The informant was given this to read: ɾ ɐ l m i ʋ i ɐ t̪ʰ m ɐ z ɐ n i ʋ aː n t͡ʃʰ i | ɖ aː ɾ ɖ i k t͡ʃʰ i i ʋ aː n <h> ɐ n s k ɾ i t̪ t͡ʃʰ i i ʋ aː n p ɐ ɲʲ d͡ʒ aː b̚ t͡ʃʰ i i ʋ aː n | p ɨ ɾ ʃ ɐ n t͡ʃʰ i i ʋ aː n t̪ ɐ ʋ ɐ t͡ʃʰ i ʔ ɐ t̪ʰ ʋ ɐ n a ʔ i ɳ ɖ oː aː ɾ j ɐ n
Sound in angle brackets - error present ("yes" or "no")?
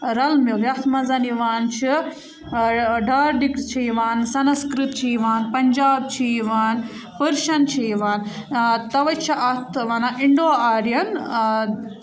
yes